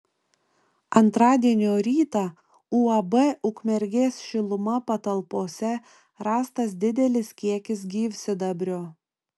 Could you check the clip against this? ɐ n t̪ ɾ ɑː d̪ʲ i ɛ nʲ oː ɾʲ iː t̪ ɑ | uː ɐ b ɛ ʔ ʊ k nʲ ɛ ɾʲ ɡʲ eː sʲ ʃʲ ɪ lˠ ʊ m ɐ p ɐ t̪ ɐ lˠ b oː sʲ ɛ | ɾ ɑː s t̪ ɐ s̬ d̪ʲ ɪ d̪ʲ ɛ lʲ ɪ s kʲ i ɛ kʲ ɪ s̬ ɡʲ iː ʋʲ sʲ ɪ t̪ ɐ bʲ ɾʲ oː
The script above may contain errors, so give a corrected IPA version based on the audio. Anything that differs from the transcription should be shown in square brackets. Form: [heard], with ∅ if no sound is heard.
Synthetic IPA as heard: ɐ n t̪ ɾ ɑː d̪ʲ i ɛ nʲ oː ɾʲ iː t̪ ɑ | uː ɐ b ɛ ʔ ʊ k [mʲ] ɛ ɾʲ ɡʲ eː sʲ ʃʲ ɪ lˠ ʊ m ɐ p ɐ t̪ ɐ lˠ [p] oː sʲ ɛ | ɾ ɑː s t̪ ɐ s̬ d̪ʲ ɪ d̪ʲ ɛ lʲ ɪ s kʲ i ɛ kʲ ɪ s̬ ɡʲ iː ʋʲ sʲ ɪ [d̪] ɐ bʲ ɾʲ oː